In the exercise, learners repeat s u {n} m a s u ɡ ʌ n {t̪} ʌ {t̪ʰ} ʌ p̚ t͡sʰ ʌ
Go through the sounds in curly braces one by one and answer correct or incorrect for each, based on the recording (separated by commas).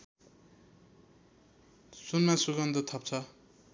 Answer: correct, incorrect, correct